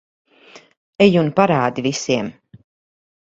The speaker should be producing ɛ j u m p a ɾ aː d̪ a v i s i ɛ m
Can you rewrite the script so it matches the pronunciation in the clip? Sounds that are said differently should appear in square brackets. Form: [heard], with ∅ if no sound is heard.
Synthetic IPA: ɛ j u [n] p a ɾ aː d̪ [i] v i s i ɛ m